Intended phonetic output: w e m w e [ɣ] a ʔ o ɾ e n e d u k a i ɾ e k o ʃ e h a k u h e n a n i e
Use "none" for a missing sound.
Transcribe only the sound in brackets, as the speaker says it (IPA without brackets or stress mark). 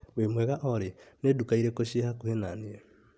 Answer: ɣ